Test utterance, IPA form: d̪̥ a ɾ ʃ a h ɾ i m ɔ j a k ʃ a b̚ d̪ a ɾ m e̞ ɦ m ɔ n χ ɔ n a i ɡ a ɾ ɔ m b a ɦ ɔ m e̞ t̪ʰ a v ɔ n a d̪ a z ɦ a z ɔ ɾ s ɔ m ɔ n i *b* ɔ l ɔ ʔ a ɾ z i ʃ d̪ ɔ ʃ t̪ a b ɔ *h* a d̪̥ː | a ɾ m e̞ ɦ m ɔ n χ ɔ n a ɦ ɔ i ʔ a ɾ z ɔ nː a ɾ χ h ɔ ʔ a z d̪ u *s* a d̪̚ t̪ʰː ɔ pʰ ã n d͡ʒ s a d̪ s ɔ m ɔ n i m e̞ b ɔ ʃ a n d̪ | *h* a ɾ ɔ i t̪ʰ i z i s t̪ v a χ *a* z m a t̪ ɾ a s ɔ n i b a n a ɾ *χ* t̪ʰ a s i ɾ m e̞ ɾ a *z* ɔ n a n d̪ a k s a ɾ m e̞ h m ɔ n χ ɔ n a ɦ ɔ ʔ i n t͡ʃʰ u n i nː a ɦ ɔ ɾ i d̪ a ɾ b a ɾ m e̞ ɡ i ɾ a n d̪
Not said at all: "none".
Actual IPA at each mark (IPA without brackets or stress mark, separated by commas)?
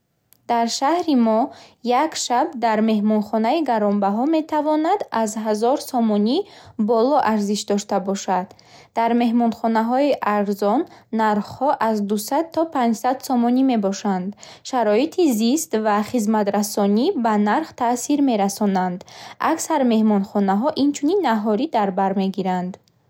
b, ʃ, s, ʃ, i, χ, s